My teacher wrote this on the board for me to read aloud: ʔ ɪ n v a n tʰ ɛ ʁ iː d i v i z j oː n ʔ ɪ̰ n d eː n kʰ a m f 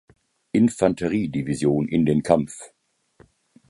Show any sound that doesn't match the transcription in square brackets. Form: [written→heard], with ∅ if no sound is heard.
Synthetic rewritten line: ʔ ɪ n [v→f] a n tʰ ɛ ʁ iː d i v i z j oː n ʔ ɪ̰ n d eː n kʰ a m f